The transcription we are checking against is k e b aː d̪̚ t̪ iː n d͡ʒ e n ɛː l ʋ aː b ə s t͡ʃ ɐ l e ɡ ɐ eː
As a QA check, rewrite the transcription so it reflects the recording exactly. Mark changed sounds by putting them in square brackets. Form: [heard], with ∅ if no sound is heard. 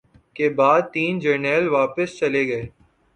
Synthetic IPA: k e b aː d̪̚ t̪ iː n d͡ʒ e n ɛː l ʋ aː [p] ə s t͡ʃ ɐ l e ɡ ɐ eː